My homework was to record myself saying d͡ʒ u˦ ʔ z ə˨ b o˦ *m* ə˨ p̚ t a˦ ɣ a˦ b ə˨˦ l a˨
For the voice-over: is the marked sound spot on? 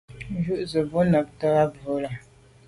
no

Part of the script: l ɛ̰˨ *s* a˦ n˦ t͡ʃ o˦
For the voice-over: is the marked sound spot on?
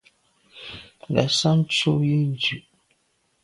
yes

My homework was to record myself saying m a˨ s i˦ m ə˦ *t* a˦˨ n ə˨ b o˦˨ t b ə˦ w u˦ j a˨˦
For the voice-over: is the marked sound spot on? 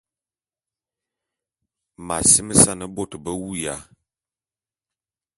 no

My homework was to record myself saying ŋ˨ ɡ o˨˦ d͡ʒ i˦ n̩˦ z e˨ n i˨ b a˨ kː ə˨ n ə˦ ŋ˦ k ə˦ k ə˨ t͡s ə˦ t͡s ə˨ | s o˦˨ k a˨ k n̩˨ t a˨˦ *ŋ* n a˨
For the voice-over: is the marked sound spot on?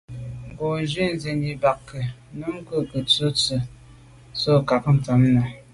no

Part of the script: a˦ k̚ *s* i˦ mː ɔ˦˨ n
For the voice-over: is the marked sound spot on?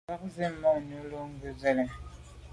no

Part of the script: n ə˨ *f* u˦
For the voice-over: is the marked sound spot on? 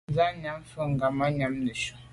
no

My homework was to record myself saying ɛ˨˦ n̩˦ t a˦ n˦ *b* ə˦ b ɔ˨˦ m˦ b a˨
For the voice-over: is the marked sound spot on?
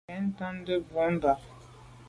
no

